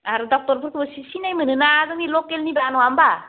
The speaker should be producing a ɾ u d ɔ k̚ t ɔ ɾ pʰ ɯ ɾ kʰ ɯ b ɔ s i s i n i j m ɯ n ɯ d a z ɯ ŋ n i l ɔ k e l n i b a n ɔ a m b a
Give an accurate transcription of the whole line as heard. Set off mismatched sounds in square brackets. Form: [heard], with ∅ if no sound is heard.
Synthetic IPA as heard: a ɾ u d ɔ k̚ t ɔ ɾ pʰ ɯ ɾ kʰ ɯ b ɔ s i s i n [a] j m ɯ n ɯ [n] a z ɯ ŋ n i l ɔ k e l n i b a n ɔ a m b a